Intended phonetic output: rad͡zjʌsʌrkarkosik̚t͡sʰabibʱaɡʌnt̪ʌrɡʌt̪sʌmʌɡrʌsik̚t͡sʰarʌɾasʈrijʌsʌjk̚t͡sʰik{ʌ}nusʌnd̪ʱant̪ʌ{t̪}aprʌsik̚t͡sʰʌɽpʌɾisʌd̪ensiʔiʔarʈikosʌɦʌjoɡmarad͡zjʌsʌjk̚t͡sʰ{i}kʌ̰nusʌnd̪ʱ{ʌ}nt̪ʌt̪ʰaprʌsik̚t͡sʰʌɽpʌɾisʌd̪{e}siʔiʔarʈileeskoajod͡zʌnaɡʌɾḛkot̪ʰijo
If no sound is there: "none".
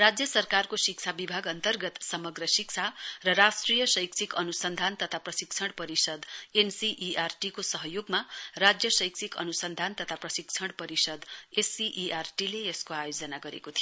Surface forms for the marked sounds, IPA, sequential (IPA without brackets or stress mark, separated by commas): ʌ, t̪ʰ, i, a, e